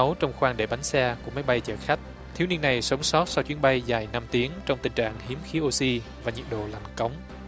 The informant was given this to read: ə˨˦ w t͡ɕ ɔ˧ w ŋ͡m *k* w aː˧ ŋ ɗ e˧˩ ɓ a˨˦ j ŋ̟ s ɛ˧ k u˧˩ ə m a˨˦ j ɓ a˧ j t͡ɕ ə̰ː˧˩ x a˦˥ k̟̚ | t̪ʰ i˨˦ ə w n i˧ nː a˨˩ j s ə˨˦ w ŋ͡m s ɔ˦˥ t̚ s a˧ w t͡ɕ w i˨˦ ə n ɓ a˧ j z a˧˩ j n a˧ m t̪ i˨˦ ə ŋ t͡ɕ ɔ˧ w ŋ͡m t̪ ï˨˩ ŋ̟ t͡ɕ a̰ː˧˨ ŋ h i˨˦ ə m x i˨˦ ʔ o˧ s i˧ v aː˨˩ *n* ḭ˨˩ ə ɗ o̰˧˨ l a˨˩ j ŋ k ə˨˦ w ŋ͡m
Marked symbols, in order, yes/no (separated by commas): no, no